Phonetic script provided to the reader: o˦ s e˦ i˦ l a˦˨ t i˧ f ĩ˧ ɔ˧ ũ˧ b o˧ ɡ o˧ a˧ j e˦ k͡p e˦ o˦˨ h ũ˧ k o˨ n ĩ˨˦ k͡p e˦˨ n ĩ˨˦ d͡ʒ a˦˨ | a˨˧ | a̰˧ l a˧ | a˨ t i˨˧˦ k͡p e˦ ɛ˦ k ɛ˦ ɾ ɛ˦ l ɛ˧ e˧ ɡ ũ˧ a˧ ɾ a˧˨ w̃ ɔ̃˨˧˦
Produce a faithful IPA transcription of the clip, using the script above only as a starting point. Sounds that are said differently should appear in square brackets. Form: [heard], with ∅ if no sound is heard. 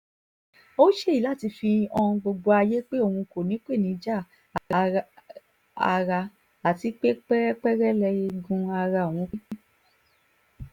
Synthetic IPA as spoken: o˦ [ʃ] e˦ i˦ l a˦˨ t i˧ f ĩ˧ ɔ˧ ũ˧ [ɡ͡b] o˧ [ɡ͡b] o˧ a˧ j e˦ k͡p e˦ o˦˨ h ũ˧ k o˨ n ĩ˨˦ k͡p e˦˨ n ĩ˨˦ d͡ʒ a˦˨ | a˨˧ | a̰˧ [ɾ] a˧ | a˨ t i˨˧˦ k͡p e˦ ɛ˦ [k͡p] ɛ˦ ɾ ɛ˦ l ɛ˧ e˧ ɡ ũ˧ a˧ ɾ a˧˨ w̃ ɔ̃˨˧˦